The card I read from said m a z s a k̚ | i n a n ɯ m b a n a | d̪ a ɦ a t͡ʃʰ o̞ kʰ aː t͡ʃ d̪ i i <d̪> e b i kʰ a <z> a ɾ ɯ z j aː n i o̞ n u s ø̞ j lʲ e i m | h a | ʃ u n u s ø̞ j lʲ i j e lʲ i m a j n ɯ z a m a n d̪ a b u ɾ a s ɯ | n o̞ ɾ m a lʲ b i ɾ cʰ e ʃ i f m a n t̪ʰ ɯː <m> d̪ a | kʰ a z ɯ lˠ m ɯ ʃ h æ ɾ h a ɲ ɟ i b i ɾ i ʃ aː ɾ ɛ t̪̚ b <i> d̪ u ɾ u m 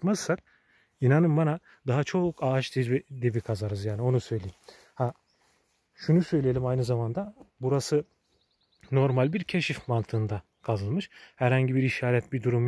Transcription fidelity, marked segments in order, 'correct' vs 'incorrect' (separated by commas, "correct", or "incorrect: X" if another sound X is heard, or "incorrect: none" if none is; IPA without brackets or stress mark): correct, correct, incorrect: n, correct